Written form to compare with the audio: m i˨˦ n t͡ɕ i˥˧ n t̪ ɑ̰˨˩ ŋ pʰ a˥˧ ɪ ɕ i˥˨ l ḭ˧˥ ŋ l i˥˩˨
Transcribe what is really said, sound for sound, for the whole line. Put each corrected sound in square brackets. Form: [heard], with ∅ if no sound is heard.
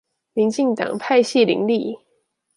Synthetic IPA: m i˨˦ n t͡ɕ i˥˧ [ŋ] t̪ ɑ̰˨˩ ŋ pʰ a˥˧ ɪ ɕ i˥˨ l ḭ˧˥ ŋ l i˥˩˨

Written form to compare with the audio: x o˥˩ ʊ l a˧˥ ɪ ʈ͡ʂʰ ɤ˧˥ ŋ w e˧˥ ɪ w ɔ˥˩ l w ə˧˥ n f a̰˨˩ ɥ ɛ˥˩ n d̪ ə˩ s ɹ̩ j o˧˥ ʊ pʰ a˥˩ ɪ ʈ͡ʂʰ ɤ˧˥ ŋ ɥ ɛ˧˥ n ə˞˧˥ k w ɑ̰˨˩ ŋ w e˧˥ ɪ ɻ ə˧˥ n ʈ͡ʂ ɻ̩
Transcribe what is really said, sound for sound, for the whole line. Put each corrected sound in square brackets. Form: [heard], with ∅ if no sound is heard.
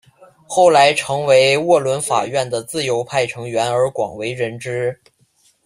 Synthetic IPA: x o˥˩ ʊ l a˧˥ ɪ ʈ͡ʂʰ ɤ˧˥ ŋ w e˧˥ ɪ w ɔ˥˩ l w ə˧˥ n f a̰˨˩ ɥ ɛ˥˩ n d̪ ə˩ [t͡s] ɹ̩ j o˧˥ ʊ pʰ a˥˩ ɪ ʈ͡ʂʰ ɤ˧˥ ŋ ɥ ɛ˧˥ n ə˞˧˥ k w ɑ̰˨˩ ŋ w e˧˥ ɪ ɻ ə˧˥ n ʈ͡ʂ ɻ̩

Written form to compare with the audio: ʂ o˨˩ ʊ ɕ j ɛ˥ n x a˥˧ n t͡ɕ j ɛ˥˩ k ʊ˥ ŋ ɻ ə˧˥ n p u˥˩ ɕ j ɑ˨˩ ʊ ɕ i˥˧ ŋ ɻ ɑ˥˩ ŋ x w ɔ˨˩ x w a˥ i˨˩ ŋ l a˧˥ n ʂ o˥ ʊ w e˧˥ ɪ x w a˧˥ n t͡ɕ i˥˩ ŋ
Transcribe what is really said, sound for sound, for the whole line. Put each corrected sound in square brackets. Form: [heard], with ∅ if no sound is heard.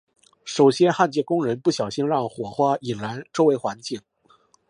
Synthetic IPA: ʂ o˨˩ ʊ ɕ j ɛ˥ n x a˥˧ n t͡ɕ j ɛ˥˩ k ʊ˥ ŋ ɻ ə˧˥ n p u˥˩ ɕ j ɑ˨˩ ʊ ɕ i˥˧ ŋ ɻ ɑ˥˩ ŋ x w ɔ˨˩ x w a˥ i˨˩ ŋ l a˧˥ n [ʈ͡ʂ] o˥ ʊ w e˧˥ ɪ x w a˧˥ n t͡ɕ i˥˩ ŋ

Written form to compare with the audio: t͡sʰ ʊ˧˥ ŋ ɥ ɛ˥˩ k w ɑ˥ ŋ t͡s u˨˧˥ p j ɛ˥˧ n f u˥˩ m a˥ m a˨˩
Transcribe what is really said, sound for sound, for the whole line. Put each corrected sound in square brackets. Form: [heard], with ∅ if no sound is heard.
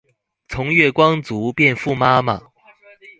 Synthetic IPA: t͡sʰ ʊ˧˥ ŋ ɥ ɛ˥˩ k w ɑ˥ ŋ t͡s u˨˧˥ p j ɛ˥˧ n f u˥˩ m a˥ m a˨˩

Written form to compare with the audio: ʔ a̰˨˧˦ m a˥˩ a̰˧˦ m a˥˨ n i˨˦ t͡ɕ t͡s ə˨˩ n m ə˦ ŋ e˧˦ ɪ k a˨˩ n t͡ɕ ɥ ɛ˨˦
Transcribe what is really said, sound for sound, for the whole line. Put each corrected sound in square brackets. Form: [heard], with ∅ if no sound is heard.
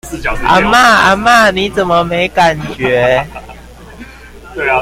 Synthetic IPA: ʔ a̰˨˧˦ m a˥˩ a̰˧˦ m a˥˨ n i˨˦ [∅] t͡s ə˨˩ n m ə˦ [m] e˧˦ ɪ k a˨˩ n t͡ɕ ɥ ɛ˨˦

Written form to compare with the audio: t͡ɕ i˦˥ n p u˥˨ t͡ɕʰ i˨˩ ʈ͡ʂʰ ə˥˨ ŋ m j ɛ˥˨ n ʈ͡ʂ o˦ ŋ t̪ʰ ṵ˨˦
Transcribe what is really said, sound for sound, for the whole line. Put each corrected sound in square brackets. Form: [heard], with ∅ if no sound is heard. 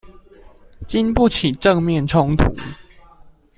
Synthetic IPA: t͡ɕ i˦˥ n p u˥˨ t͡ɕʰ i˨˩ [ʈ͡ʂ] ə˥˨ ŋ m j ɛ˥˨ n [ʈ͡ʂʰ] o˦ ŋ t̪ʰ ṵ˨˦

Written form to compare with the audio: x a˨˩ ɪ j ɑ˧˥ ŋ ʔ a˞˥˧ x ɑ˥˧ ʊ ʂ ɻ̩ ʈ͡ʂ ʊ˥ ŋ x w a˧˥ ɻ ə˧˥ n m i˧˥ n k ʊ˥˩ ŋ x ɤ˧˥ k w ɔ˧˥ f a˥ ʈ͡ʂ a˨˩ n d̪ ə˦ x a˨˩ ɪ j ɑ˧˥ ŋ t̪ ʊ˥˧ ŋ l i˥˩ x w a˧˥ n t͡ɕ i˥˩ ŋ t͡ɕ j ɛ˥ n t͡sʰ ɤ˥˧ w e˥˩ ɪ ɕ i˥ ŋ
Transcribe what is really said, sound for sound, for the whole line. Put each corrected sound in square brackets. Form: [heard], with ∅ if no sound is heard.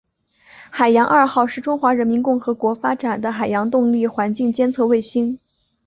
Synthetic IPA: x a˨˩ ɪ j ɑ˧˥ ŋ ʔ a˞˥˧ x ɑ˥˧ ʊ ʂ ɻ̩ ʈ͡ʂ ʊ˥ ŋ x w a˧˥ ɻ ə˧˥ n m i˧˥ n k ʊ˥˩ ŋ x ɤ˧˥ k w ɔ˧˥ f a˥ ʈ͡ʂ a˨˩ n d̪ ə˦ x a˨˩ ɪ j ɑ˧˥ ŋ t̪ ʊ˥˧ ŋ l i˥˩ x w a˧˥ n t͡ɕ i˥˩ ŋ t͡ɕ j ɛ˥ n t͡sʰ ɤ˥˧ w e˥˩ ɪ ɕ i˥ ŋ

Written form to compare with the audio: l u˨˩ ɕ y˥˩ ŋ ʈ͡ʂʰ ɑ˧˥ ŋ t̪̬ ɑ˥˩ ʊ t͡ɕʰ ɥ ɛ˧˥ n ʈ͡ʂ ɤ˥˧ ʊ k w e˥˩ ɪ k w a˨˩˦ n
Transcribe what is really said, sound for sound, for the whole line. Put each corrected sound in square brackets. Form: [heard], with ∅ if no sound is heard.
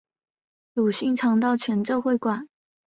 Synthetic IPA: l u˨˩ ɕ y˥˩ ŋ ʈ͡ʂʰ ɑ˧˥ ŋ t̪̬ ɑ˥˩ ʊ t͡ɕʰ ɥ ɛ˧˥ n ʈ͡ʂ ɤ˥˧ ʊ [x] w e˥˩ ɪ k w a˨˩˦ n

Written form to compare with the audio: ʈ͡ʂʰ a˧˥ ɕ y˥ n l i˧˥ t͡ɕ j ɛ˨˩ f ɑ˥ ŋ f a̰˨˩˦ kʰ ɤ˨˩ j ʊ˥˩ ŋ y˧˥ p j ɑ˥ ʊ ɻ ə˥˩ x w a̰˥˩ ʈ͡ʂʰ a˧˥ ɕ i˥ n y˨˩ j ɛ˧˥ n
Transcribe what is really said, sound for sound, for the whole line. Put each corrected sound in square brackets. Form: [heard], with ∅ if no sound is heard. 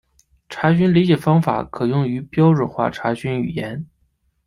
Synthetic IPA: ʈ͡ʂʰ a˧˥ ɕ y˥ n l i˧˥ t͡ɕ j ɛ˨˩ f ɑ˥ ŋ f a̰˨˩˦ kʰ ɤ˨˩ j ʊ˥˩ ŋ y˧˥ p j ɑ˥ ʊ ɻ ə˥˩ x w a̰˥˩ ʈ͡ʂʰ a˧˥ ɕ [y˥] n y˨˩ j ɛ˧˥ n

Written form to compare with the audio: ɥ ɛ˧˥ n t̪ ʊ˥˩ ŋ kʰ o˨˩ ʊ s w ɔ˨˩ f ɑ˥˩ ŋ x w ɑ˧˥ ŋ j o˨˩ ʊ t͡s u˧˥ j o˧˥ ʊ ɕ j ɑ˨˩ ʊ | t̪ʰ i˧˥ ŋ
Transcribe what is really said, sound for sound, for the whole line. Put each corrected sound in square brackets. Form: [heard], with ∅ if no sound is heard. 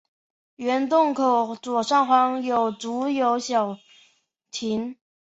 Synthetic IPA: ɥ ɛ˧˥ n t̪ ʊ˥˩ ŋ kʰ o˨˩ ʊ [t͡s] w ɔ˨˩ [ʂ] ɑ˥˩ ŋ x w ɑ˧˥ ŋ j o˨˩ ʊ t͡s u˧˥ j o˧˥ ʊ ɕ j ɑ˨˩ ʊ | t̪ʰ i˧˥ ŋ

